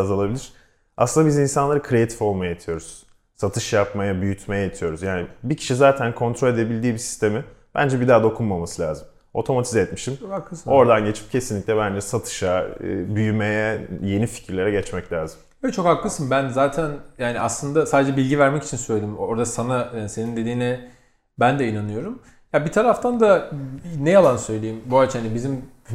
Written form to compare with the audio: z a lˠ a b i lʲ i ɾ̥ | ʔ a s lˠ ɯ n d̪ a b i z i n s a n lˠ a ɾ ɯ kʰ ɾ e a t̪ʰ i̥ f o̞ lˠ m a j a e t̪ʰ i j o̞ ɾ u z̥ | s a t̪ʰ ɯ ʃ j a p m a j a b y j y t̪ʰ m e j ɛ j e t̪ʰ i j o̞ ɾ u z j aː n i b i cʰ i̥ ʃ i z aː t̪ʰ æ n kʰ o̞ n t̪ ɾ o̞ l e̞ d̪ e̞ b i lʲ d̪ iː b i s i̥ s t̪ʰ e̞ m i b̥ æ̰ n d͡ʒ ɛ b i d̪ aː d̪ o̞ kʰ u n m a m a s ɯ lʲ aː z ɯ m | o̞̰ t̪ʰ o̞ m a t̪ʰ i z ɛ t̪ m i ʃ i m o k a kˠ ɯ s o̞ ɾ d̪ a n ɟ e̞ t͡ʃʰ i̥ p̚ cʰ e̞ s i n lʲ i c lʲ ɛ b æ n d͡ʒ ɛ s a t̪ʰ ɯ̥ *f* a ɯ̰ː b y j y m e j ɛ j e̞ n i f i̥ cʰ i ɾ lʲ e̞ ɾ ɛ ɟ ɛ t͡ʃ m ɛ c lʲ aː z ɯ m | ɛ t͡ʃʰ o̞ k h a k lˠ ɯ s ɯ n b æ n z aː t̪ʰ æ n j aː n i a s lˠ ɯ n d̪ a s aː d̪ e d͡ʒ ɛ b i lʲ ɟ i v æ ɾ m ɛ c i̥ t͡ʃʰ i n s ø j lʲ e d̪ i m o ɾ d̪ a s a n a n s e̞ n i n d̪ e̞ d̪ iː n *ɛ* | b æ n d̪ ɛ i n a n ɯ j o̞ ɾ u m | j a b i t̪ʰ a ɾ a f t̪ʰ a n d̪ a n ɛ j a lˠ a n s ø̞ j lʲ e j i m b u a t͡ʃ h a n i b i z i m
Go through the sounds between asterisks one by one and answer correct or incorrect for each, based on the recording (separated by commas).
incorrect, correct